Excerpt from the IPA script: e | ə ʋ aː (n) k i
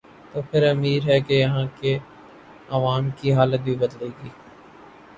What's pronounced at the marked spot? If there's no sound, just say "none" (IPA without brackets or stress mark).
m